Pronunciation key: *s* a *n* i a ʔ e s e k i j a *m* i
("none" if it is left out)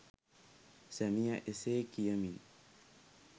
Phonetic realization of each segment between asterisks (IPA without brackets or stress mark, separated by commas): s, m, m